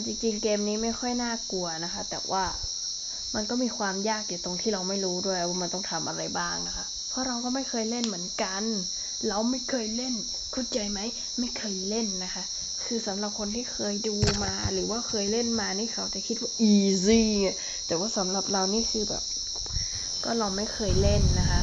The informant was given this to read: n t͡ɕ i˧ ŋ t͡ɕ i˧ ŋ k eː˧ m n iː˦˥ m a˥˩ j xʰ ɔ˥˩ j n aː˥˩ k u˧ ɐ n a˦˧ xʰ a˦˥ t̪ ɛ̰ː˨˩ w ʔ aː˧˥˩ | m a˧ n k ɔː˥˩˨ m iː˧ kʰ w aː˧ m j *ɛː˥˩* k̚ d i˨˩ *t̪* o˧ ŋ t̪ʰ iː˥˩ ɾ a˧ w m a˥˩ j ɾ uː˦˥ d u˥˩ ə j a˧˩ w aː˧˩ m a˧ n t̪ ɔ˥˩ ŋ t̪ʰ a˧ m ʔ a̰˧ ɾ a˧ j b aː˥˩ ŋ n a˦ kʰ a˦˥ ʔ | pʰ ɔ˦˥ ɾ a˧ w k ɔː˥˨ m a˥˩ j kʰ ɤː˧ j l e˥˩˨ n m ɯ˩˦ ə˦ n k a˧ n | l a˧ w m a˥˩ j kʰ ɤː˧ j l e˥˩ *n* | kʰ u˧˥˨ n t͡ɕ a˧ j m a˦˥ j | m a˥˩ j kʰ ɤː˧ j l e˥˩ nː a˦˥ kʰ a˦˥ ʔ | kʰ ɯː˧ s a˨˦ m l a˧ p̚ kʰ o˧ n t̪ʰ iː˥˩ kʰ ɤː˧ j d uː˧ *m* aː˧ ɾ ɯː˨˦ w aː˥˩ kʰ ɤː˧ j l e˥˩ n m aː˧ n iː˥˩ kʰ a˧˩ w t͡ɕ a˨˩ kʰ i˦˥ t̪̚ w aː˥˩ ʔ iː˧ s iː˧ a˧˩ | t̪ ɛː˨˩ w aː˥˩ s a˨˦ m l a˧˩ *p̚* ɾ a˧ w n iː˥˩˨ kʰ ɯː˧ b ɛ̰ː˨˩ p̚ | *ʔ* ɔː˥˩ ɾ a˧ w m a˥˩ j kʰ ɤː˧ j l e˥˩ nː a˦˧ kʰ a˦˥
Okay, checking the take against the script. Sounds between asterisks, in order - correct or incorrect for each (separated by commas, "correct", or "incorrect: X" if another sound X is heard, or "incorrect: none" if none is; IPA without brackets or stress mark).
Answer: incorrect: aː˥˩, correct, correct, correct, correct, incorrect: k